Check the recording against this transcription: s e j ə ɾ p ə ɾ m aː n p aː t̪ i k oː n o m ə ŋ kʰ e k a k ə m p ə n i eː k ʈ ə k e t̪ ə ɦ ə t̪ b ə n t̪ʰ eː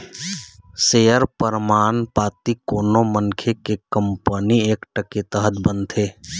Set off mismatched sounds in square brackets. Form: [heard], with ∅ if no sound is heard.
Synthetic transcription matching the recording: s e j ə ɾ p ə ɾ m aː n p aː t̪ i k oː n o m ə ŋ kʰ e k [e] k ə m p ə n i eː k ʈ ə k e t̪ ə ɦ ə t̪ b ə n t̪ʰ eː